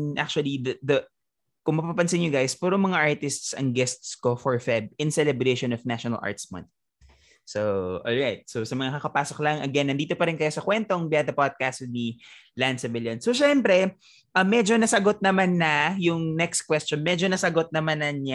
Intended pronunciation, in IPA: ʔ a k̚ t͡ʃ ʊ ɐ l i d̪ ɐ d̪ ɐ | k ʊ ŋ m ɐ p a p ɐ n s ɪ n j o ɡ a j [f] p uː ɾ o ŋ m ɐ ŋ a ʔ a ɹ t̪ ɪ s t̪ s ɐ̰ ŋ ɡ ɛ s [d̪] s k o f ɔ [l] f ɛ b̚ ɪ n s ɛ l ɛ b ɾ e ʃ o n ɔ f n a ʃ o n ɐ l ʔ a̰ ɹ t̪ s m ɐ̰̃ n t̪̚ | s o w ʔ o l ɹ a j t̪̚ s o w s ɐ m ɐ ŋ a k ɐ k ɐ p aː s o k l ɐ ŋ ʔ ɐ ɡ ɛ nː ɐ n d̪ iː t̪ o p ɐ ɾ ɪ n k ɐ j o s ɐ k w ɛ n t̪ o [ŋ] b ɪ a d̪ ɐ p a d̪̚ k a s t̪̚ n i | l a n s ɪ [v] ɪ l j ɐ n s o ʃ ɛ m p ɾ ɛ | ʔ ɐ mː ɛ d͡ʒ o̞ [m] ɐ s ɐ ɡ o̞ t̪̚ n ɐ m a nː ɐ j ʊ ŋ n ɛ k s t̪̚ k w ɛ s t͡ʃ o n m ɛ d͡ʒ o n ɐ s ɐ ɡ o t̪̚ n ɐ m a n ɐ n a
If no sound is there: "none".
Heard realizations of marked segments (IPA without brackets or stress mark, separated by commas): s, t̪, ɹ, ŋ, v, n